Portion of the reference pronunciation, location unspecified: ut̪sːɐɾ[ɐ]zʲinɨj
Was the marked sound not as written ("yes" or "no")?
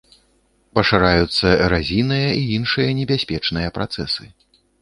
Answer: yes